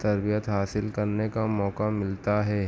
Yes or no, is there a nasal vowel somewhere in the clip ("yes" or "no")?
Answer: no